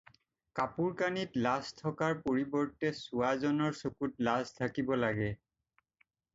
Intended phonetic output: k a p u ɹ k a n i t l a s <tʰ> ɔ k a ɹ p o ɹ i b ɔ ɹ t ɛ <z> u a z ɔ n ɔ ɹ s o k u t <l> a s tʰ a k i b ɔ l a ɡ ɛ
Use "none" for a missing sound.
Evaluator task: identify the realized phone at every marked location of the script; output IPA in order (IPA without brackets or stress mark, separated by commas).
tʰ, s, l